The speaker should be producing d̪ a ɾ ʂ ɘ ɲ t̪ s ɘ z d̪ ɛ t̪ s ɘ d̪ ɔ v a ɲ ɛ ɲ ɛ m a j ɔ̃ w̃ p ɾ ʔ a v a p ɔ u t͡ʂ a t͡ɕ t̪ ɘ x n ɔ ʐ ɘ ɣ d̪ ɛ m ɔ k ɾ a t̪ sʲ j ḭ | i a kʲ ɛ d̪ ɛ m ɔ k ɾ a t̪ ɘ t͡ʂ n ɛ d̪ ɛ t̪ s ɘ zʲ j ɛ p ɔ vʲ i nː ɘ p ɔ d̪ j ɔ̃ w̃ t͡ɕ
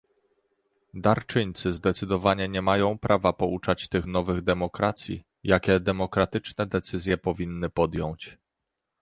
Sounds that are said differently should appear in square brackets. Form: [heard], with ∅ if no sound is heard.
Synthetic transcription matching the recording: d̪ a ɾ [t͡ʂ] ɘ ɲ t̪ s ɘ z d̪ ɛ t̪ s ɘ d̪ ɔ v a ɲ ɛ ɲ ɛ m a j ɔ̃ w̃ p ɾ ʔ a v a p ɔ u t͡ʂ a t͡ɕ t̪ ɘ x n ɔ [v] ɘ ɣ d̪ ɛ m ɔ k ɾ a t̪ sʲ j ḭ | [j] a kʲ ɛ d̪ ɛ m ɔ k ɾ a t̪ ɘ t͡ʂ n ɛ d̪ ɛ t̪ s ɘ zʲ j ɛ p ɔ vʲ i nː ɘ p ɔ d̪ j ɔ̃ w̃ t͡ɕ